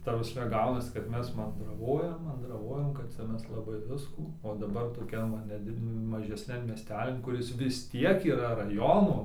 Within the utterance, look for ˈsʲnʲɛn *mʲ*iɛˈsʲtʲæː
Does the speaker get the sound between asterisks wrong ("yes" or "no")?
no